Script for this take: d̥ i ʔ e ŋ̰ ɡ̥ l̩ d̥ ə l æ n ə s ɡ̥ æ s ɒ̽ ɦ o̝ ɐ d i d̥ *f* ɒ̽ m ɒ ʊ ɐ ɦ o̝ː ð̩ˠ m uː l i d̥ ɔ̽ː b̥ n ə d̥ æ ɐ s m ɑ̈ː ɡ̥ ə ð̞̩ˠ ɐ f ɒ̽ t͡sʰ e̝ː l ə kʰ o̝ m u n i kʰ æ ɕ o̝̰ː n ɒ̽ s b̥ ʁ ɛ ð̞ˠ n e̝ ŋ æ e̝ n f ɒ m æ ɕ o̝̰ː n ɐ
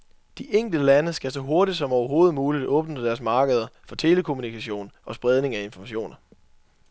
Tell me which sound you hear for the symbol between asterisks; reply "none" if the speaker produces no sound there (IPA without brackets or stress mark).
s